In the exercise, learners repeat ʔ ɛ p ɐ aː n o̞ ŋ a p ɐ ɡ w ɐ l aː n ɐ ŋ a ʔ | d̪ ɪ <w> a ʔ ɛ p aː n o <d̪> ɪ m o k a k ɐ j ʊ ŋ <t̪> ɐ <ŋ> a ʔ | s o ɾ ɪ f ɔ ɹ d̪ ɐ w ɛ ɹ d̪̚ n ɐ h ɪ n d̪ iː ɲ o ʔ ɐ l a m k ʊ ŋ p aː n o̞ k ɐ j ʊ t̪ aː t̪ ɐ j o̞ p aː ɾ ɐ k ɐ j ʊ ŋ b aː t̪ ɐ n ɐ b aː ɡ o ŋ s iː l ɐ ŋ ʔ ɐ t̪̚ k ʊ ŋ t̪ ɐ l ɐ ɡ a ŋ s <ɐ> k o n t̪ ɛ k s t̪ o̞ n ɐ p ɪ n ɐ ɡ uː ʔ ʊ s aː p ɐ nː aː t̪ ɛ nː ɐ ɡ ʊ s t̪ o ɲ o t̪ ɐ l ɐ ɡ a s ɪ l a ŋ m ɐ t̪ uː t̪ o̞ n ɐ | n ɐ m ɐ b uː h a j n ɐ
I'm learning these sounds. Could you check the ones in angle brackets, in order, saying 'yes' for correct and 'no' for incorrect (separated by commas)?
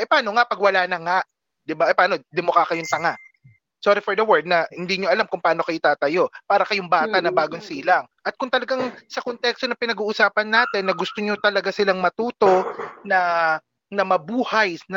no, yes, yes, yes, yes